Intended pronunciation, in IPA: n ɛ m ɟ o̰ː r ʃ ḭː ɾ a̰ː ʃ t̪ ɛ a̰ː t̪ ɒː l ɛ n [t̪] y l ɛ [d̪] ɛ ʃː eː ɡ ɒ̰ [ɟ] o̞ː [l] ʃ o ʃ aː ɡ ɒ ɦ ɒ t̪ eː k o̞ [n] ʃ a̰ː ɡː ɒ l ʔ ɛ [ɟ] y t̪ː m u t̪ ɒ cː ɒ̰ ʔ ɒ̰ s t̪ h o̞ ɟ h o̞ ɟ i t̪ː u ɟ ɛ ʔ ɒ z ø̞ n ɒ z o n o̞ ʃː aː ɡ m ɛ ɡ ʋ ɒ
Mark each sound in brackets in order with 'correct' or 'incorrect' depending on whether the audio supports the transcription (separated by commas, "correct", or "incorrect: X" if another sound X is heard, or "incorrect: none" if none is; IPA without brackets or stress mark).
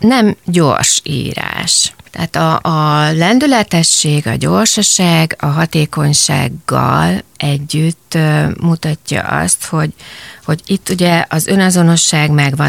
incorrect: d̪, incorrect: t̪, correct, incorrect: r, incorrect: ɲ, incorrect: ɟː